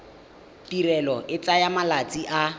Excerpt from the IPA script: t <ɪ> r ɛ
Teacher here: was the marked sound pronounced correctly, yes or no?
no